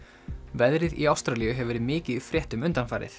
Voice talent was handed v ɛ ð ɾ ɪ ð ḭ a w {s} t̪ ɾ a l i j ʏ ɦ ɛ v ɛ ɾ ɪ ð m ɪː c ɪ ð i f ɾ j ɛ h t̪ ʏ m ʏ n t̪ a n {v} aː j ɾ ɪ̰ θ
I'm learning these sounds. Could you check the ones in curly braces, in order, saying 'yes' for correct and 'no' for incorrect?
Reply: yes, no

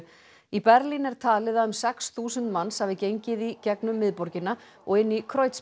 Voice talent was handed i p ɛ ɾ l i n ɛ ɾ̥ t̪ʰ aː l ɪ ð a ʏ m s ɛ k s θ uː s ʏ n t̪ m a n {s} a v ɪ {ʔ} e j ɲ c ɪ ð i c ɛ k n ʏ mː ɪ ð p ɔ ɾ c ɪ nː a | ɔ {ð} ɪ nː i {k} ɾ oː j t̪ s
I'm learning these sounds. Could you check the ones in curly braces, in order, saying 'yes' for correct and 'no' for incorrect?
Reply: yes, no, no, no

